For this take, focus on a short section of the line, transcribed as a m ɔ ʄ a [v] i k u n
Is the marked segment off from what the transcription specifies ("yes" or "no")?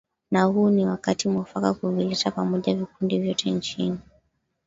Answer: no